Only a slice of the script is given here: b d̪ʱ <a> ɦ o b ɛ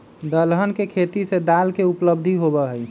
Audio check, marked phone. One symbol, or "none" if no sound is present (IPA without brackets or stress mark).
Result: i